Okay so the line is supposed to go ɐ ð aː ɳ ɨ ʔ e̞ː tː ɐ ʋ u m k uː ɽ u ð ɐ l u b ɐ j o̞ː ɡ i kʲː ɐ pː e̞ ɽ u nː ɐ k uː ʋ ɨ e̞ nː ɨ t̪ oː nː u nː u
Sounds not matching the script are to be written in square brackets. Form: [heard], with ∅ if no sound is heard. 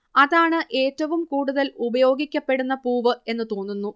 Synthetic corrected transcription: ɐ ð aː ɳ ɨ ʔ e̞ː tː ɐ ʋ u m k uː ɽ u ð ɐ l u b ɐ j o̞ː ɡ i kʲː ɐ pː e̞ ɽ u nː ɐ [p] uː ʋ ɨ e̞ nː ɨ t̪ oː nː u nː u